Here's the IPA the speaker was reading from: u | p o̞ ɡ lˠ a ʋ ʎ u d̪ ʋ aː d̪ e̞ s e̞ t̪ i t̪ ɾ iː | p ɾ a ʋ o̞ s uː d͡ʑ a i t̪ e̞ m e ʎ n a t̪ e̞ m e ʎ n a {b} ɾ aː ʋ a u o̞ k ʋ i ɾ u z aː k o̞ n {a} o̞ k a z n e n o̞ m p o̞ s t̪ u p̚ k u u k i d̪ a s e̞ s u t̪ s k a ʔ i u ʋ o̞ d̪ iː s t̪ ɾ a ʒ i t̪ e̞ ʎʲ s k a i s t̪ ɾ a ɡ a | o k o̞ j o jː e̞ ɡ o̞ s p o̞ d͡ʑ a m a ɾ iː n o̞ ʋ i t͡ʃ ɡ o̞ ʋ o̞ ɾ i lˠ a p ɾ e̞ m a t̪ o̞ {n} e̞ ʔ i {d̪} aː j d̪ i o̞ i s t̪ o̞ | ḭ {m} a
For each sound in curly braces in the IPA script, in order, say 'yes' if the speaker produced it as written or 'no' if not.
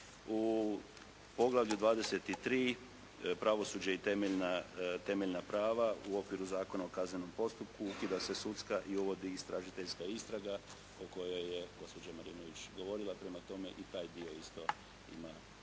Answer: no, yes, no, no, yes

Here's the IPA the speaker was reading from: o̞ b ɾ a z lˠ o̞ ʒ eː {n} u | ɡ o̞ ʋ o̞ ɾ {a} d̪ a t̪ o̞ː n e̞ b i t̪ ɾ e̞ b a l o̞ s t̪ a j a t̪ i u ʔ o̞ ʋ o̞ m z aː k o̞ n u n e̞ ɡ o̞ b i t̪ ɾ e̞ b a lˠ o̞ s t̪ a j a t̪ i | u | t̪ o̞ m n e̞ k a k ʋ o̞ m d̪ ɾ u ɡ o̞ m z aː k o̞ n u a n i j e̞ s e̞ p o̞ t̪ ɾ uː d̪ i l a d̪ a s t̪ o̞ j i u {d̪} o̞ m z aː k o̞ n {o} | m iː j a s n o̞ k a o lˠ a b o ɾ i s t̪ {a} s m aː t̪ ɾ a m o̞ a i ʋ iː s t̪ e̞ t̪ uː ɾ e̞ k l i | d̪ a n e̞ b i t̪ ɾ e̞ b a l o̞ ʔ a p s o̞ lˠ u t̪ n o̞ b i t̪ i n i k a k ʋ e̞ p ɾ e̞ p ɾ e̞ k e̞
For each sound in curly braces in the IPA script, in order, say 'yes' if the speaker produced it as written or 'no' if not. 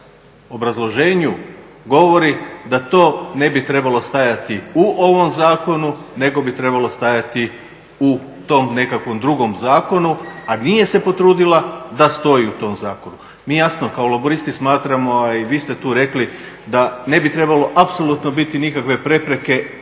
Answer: no, no, no, no, no

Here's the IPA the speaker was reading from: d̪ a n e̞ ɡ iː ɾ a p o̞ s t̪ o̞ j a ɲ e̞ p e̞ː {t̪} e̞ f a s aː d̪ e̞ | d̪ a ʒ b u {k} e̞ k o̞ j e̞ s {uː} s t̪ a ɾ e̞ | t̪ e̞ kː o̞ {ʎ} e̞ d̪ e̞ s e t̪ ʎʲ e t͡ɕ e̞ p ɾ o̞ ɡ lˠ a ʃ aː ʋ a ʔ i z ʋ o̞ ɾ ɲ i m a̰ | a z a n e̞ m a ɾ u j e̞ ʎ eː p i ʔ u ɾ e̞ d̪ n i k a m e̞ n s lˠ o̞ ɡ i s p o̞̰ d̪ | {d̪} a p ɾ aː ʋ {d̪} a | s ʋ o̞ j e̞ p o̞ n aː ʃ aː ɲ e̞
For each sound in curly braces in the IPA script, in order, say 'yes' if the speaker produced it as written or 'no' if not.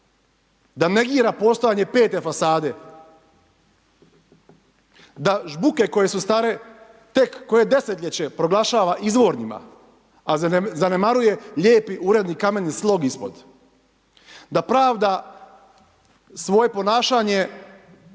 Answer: yes, yes, no, no, yes, yes

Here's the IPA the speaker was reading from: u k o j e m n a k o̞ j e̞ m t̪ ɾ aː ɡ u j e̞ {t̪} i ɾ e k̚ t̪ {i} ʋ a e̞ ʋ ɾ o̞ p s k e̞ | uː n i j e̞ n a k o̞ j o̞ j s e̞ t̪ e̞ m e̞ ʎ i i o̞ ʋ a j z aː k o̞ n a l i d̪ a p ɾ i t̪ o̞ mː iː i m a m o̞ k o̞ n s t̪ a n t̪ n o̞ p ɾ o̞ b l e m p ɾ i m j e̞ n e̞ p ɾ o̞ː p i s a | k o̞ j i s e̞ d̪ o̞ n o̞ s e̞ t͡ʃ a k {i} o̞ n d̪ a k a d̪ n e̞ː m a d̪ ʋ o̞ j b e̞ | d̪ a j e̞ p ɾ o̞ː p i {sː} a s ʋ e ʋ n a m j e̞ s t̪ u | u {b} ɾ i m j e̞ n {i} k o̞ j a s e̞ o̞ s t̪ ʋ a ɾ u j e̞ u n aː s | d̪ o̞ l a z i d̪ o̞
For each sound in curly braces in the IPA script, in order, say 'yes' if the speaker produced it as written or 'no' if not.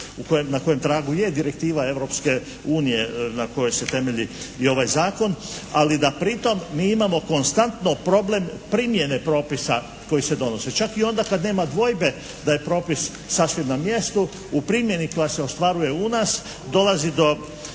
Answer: no, no, yes, yes, no, yes

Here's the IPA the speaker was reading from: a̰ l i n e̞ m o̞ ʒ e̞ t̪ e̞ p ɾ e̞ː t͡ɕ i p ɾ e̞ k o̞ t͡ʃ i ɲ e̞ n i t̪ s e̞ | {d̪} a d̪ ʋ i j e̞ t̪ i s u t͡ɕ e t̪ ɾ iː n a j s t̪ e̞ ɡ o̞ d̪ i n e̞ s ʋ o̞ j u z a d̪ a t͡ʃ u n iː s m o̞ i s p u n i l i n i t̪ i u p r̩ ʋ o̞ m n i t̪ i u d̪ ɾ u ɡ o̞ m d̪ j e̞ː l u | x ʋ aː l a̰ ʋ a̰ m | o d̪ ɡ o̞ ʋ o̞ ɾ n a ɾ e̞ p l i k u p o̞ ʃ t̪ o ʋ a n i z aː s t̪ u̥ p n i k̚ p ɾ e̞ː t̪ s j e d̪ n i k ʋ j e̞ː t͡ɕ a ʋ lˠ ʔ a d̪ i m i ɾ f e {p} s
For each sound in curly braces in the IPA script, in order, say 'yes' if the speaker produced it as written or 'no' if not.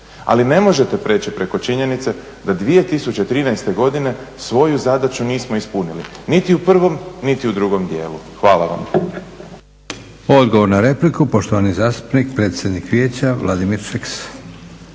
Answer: yes, no

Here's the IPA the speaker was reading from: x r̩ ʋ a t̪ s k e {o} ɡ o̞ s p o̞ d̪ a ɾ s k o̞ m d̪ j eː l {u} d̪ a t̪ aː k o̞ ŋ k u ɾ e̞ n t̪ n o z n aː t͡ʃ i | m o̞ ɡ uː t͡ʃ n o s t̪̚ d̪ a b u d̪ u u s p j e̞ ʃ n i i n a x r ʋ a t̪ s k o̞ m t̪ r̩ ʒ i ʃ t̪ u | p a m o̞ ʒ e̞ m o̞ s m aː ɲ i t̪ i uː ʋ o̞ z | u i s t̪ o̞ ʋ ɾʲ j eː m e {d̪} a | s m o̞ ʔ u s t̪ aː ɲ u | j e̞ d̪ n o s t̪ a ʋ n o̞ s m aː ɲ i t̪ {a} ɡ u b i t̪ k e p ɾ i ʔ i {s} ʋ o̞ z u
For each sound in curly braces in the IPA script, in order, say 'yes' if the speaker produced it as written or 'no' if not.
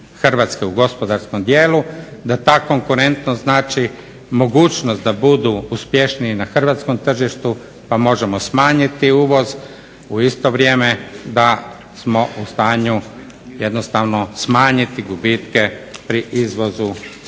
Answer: no, yes, yes, no, no

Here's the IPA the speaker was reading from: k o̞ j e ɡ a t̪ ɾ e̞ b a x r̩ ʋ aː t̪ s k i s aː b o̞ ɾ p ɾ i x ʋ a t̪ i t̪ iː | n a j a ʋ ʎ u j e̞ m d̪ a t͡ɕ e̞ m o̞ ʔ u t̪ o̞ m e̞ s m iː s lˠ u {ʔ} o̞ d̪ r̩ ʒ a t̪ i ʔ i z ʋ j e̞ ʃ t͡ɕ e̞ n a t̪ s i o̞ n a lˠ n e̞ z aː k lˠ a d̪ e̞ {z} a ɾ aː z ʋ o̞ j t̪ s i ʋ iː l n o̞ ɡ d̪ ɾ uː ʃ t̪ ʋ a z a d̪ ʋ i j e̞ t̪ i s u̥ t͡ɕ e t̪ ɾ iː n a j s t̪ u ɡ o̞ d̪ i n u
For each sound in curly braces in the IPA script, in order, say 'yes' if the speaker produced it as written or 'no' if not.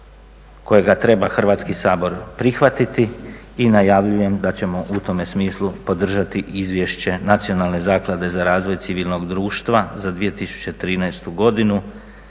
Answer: no, yes

